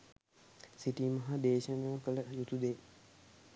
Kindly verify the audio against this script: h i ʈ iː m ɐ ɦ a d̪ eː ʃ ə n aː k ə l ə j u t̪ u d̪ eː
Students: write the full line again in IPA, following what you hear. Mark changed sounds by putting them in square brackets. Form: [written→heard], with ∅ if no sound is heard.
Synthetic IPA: [h→s] i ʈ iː m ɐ ɦ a d̪ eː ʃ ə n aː k ə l ə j u t̪ u d̪ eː